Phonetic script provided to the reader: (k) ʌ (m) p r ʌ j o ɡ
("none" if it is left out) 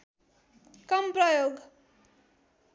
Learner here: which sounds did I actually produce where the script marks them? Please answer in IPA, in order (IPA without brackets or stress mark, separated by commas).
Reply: k, m